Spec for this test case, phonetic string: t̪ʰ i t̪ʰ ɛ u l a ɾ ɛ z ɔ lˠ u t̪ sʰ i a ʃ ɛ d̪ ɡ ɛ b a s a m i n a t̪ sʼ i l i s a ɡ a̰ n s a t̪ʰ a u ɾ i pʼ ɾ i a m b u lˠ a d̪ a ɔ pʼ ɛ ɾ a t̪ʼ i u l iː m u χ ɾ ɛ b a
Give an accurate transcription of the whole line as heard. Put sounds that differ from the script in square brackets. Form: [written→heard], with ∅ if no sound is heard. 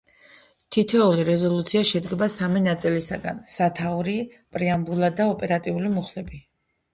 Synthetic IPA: t̪ʰ i t̪ʰ ɛ u l [a→i] ɾ ɛ z ɔ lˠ u t̪ sʰ i a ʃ ɛ d̪ ɡ ɛ b a s a m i n a t̪ sʼ i l i s a ɡ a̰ n s a t̪ʰ a u ɾ i pʼ ɾ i a m b u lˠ a d̪ a ɔ pʼ ɛ ɾ a t̪ʼ i u l [iː→i] m u χ [ɾ→l] ɛ b [a→i]